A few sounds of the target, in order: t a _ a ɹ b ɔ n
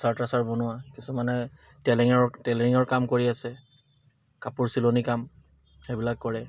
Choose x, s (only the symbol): s